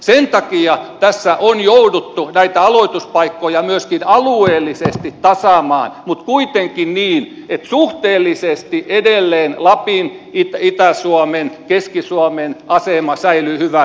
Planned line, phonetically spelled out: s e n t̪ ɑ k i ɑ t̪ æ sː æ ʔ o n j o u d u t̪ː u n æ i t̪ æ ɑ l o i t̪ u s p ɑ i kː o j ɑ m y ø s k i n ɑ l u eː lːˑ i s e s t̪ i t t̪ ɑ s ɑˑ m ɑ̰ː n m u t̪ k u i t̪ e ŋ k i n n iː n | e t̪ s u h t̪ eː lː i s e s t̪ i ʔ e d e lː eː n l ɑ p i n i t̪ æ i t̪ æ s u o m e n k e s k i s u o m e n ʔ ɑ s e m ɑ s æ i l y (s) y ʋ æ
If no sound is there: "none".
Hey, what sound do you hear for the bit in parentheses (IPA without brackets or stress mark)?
h